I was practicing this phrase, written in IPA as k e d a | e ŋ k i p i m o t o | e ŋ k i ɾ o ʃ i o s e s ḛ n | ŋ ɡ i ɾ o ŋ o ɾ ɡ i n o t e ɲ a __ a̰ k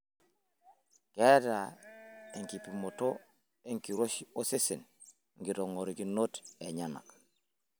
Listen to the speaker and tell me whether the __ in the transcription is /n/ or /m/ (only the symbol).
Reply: n